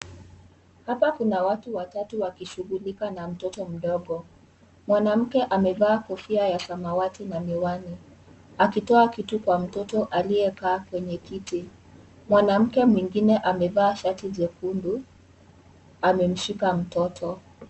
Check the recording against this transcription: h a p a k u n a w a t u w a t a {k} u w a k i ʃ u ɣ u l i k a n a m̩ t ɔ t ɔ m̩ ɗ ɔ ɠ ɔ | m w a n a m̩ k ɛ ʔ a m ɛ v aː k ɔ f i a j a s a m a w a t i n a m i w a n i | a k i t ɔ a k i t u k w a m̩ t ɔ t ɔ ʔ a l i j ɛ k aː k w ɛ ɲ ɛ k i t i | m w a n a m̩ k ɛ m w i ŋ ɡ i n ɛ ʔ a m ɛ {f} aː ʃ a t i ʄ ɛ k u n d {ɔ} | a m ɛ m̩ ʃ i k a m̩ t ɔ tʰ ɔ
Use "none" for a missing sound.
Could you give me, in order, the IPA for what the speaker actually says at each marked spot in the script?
t, v, u

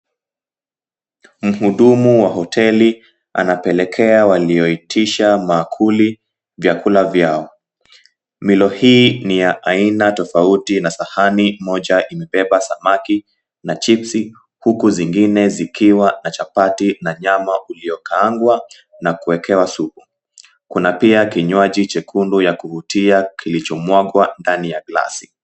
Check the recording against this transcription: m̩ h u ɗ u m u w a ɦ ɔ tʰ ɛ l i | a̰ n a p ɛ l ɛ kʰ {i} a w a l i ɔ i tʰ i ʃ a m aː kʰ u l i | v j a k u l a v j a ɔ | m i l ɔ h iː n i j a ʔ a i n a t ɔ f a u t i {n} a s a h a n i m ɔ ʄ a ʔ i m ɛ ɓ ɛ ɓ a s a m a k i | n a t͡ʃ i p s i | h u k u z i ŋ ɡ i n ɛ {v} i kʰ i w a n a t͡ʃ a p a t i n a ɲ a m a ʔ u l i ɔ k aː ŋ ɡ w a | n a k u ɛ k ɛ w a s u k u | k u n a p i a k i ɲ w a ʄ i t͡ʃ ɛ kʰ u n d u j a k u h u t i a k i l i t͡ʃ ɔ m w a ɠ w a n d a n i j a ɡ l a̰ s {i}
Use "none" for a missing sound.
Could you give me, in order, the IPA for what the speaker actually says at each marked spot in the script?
ɛ, n, z, i

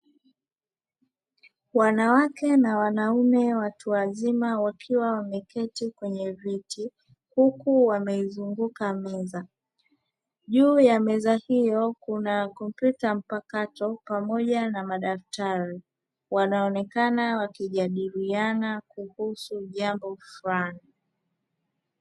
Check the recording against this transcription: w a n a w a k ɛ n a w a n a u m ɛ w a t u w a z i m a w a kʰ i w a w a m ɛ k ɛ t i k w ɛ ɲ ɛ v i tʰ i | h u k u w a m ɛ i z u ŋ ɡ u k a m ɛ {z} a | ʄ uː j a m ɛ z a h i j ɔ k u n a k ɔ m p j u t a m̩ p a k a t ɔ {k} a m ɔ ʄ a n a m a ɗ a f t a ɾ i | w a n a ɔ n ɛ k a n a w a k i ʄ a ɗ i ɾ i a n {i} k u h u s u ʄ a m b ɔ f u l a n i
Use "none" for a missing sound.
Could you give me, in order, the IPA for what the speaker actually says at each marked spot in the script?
z, p, a

